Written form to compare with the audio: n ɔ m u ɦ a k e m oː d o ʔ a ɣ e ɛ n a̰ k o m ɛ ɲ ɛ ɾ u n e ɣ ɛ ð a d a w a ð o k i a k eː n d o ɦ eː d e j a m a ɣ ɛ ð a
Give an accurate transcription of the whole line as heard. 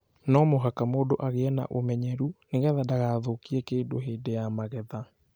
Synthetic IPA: n ɔ m o ɦ a k a m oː d o ʔ a ɣ e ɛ n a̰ ʔ o m ɛ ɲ ɛ ɾ u n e ɣ ɛ ð a d a ɣ a ð o k i ɛ k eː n d o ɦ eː d e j a m a ɣ ɛ ð a